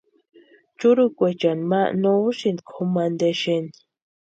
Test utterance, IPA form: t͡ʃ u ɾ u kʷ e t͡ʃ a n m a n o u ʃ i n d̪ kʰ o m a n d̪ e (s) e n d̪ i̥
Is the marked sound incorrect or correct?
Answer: incorrect